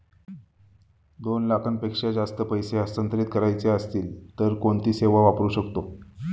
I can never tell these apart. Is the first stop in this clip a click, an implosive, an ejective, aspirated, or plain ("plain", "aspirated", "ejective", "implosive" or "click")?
plain